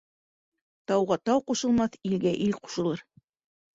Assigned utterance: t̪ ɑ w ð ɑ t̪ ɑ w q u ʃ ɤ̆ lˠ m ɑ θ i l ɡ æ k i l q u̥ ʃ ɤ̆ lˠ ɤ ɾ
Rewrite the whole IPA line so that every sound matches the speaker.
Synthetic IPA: t̪ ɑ w ʁ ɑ t̪ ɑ w q u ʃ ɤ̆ lˠ m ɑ θ i l ɡ æ ʔ i l q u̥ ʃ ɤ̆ lˠ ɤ ɾ